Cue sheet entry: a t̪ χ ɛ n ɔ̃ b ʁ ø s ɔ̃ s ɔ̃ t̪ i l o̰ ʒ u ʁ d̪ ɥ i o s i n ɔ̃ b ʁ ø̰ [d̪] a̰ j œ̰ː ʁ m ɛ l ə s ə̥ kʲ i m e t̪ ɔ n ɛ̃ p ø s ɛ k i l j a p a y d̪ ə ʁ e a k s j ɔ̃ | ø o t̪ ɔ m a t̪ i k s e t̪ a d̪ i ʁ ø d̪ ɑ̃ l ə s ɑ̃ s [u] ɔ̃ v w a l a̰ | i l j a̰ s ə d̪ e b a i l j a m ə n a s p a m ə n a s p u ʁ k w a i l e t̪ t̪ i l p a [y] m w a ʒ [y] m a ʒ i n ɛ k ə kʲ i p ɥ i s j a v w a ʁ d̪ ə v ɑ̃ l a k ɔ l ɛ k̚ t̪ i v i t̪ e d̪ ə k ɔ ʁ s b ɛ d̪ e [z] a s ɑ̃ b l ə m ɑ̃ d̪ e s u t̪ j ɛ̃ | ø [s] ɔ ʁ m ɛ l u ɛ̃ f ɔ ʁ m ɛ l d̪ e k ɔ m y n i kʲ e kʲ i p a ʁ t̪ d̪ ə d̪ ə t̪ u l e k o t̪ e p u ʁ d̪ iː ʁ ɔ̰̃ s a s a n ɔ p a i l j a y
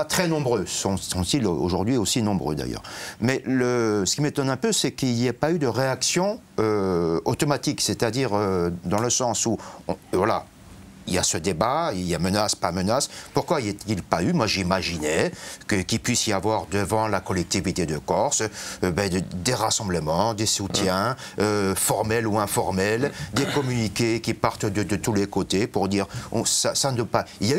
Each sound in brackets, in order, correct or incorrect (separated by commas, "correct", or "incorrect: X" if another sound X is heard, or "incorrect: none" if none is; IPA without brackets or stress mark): correct, correct, correct, incorrect: i, incorrect: ʁ, incorrect: f